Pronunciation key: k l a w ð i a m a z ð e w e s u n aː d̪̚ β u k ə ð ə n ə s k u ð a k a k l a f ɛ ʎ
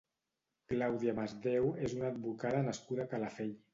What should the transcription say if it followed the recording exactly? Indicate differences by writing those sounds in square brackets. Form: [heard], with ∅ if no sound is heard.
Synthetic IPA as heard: k l a w ð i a m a z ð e w e [z] u n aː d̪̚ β u k [a] ð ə n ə s k u ð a k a [∅] l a f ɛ ʎ